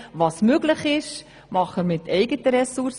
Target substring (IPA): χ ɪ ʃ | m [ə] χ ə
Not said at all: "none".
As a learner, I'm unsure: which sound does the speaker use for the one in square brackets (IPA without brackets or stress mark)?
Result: ɑ